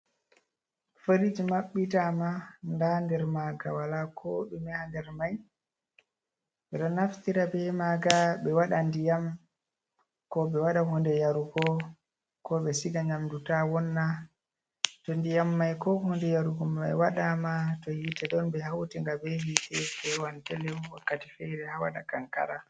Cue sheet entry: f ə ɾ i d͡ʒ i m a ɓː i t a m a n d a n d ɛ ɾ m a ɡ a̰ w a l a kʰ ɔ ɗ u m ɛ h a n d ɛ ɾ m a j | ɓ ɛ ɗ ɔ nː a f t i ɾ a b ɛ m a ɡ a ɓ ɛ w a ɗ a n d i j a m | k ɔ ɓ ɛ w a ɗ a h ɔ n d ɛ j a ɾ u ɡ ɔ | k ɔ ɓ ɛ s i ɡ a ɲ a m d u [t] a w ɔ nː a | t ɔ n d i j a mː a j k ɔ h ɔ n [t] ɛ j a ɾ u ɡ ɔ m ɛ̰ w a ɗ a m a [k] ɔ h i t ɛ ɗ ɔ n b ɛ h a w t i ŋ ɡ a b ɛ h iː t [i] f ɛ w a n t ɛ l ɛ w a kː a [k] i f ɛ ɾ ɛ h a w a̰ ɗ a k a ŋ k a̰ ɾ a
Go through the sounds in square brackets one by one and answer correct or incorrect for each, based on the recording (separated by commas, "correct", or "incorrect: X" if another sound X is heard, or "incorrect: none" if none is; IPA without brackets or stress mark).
correct, incorrect: d, incorrect: t, incorrect: ɛ, incorrect: t